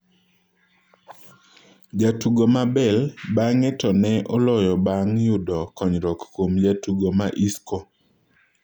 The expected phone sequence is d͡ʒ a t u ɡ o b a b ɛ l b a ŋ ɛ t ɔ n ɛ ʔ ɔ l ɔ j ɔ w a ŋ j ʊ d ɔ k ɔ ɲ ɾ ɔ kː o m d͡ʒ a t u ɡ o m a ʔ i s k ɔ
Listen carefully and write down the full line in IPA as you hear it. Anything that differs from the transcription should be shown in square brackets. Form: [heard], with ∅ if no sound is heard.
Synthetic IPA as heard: d͡ʒ a t u ɡ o [m] a b ɛ l b a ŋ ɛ t ɔ n ɛ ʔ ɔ l ɔ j ɔ [b] a ŋ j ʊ d ɔ k ɔ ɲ ɾ ɔ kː o m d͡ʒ a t u ɡ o m a ʔ i s k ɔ